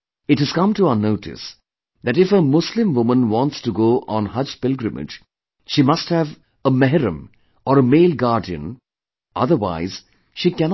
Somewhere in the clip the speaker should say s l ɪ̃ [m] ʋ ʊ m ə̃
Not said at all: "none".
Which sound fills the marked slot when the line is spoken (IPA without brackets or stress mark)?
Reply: m